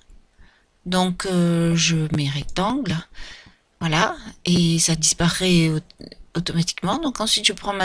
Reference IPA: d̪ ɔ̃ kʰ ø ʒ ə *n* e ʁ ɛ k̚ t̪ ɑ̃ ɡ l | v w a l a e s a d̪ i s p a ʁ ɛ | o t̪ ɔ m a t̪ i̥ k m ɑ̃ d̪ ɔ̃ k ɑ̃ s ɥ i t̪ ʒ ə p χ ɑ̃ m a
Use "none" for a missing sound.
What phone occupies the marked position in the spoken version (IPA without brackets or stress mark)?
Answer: m